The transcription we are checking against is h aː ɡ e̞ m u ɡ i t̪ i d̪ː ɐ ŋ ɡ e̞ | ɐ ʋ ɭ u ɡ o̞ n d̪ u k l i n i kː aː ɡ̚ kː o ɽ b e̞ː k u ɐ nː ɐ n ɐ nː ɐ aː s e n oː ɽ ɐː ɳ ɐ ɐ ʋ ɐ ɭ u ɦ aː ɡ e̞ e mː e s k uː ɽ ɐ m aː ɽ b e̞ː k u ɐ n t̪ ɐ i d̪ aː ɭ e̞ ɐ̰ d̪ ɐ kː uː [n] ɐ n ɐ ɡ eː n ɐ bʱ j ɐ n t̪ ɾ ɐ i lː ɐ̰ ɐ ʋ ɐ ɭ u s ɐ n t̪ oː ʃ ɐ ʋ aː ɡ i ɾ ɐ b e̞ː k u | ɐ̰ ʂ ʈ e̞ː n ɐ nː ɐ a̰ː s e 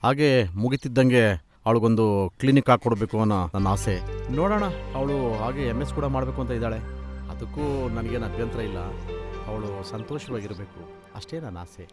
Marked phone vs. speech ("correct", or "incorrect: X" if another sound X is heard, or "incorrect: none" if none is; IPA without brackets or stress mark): correct